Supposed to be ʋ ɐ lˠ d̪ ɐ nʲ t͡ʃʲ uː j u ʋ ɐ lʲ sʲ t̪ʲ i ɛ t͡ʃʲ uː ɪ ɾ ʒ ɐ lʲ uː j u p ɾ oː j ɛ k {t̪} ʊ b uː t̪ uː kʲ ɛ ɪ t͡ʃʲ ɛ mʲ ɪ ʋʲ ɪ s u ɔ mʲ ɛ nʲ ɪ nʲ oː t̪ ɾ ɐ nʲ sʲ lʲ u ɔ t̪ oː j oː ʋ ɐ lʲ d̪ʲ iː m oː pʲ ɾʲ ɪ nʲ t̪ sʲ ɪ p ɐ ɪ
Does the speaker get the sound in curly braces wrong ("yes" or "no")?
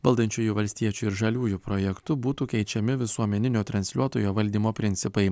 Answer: no